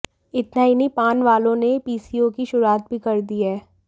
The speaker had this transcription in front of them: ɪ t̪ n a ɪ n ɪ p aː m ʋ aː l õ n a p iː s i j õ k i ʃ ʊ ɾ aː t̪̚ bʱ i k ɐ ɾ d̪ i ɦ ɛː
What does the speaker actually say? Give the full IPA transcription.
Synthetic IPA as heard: ɪ t̪ n a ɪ n i p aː n ʋ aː l õ n e p iː s i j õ k i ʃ ʊ ɾ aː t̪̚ bʱ i k ɐ ɾ d̪ i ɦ ɛː